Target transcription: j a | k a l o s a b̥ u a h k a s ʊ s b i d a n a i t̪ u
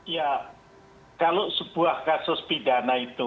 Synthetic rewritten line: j a | k a l o s ə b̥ u a h k a s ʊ s p i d a n a i t̪ u